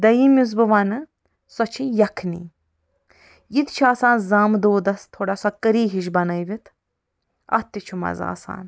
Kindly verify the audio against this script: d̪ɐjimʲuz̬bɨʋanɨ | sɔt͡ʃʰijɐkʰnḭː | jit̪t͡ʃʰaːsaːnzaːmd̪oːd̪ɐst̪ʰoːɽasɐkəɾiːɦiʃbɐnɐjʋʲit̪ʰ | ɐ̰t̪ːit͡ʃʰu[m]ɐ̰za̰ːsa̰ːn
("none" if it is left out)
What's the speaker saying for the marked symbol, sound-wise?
m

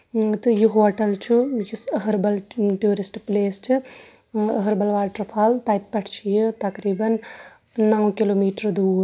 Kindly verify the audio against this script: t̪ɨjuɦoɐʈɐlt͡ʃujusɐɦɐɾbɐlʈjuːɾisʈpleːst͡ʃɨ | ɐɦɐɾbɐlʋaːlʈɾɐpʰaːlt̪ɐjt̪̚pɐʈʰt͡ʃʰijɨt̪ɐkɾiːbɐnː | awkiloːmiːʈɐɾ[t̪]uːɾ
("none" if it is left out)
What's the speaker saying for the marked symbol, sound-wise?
d̪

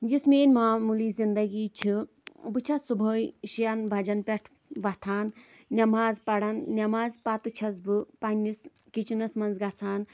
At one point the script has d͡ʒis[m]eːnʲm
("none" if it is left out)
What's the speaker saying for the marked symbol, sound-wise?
m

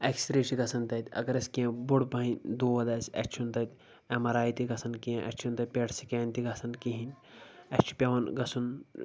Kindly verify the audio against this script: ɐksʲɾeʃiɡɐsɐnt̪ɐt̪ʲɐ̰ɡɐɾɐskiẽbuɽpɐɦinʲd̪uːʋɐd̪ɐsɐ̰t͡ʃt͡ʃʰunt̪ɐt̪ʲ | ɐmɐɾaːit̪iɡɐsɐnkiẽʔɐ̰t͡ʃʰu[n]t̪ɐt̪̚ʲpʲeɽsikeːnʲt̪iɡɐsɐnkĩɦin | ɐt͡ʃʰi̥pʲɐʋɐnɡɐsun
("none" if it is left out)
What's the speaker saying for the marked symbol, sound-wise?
n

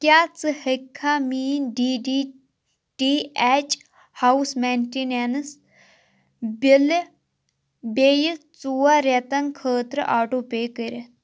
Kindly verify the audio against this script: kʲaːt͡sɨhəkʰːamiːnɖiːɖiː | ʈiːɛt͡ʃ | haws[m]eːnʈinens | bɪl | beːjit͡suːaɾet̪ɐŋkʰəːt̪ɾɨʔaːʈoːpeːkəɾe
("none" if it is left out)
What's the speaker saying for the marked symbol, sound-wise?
m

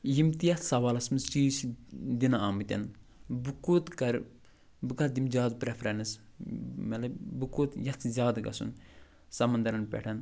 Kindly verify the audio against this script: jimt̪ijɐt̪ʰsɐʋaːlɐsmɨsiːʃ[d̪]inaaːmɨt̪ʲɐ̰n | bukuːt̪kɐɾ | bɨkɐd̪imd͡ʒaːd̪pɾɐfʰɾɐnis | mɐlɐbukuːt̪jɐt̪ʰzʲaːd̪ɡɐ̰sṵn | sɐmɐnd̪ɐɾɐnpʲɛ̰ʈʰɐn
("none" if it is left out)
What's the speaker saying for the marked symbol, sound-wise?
d̪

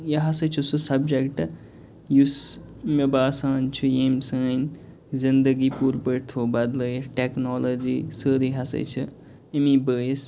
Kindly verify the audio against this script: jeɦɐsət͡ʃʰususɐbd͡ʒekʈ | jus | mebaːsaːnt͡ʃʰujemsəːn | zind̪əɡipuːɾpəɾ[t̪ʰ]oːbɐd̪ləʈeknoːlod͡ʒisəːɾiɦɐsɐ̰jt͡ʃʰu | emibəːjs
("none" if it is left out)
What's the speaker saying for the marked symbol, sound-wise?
t̪ʰ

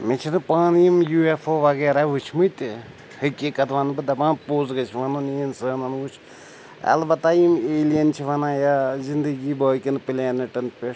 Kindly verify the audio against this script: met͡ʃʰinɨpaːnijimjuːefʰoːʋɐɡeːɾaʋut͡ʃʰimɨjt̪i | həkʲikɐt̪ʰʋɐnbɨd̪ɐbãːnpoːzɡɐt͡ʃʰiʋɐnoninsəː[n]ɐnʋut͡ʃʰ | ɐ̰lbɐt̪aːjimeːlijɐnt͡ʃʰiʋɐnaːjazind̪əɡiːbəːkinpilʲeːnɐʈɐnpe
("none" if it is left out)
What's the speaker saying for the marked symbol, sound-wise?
n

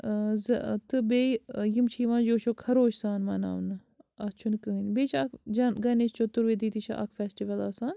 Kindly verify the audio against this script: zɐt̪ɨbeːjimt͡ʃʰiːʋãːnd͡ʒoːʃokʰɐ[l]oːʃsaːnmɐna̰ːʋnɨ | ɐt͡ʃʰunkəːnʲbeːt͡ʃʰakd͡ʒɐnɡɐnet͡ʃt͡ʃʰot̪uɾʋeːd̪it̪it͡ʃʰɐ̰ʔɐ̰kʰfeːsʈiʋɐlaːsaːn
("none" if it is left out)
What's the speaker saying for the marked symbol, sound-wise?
ɾ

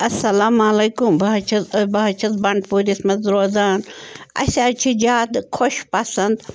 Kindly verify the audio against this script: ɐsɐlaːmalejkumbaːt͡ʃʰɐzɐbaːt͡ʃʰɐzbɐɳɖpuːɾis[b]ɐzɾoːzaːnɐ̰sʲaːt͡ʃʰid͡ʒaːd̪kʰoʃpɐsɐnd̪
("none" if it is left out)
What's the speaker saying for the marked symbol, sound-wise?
m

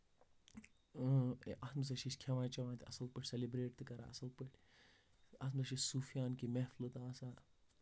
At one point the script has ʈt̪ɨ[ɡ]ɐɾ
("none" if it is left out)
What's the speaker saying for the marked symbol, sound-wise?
k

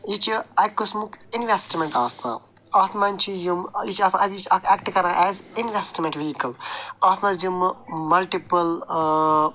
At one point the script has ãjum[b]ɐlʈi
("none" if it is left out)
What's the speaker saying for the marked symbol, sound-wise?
m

